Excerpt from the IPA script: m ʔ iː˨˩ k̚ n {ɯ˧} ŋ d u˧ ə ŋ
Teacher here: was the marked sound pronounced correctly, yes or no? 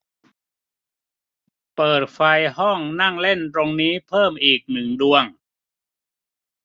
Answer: no